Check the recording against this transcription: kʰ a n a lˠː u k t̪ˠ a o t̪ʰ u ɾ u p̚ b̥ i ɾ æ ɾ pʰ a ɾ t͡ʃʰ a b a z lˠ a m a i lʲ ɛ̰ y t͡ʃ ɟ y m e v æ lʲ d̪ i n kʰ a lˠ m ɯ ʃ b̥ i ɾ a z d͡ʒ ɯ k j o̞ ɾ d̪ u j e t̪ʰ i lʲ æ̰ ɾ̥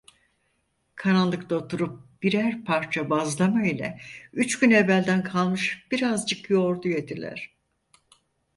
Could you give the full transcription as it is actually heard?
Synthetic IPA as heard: kʰ a n a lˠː ɯ k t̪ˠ a o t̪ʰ u ɾ u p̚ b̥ i ɾ æ ɾ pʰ a ɾ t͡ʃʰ a b a z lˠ a m a i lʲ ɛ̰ y t͡ʃ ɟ y n e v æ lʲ d̪ æ n kʰ a lˠ m ɯ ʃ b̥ i ɾ a z d͡ʒ ɯ k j o̞ ɾ d̪ u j e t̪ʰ i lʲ æ̰ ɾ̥